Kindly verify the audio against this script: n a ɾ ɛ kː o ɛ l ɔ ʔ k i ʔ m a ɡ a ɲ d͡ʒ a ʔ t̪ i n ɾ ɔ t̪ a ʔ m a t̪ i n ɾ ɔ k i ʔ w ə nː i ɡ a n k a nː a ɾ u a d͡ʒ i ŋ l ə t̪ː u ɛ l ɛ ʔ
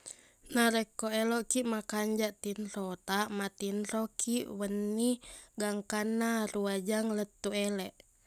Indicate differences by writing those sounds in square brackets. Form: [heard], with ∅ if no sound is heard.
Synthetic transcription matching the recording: n a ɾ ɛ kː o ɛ l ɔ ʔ k i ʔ m a [k] a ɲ d͡ʒ a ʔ t̪ i n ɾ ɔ t̪ a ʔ m a t̪ i n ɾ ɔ k i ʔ w ə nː i ɡ a [ŋ] k a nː a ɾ u a d͡ʒ [a] ŋ l ə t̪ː u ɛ l ɛ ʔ